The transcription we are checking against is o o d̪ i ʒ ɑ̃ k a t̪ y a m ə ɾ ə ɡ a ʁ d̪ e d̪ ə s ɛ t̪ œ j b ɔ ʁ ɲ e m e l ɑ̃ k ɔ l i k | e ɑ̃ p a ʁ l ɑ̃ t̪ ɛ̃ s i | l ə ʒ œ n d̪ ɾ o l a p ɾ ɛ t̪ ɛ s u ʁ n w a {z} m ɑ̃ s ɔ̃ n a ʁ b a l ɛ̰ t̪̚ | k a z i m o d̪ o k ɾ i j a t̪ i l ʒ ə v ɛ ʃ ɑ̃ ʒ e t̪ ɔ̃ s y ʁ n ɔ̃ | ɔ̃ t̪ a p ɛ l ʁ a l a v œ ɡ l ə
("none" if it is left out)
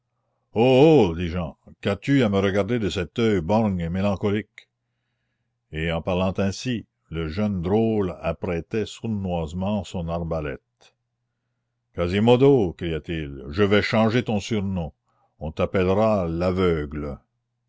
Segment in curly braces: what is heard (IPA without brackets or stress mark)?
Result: z